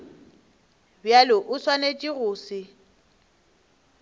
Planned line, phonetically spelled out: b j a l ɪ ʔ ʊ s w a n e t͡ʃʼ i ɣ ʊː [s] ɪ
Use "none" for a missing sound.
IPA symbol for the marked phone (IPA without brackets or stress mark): s